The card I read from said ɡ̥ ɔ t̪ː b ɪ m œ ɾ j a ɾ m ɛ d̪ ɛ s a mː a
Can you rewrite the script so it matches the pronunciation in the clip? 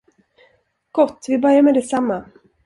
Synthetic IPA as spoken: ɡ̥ ɔ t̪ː v ɪ b œ ɾ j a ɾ m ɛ d̪ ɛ s a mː a